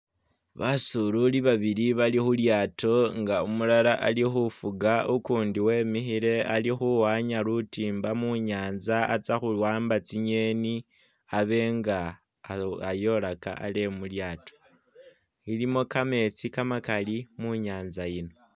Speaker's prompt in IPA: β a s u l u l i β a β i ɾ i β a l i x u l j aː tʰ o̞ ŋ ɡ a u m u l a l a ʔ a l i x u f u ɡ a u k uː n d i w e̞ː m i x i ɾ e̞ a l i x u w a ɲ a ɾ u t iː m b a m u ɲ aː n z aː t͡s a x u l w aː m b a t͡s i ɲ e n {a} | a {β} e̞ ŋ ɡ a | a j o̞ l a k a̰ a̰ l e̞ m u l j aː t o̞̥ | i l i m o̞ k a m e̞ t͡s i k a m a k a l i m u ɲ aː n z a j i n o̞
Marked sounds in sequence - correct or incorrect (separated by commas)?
incorrect, correct